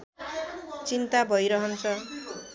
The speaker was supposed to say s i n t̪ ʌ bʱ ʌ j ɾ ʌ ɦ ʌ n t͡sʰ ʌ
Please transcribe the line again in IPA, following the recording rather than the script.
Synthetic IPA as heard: t͡s i n t̪ a bʱ ʌ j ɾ ʌ ɦ ʌ n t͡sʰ ʌ